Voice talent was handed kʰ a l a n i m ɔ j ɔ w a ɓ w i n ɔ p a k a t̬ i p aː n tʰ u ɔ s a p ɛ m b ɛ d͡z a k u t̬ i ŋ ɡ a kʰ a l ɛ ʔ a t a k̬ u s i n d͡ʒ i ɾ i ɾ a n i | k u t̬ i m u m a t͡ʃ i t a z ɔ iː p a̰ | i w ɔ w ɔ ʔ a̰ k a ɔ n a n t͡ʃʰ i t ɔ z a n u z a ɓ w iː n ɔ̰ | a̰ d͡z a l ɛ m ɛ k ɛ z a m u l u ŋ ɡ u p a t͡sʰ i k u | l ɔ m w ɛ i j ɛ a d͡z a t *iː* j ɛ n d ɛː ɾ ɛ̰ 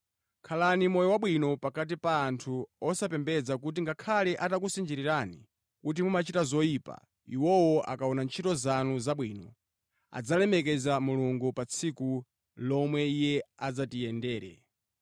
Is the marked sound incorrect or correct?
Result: incorrect